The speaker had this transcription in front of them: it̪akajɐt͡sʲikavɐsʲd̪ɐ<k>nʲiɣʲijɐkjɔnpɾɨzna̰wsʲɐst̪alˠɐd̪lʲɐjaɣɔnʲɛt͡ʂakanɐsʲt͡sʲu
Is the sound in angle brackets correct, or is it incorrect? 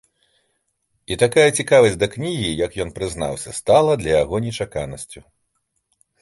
correct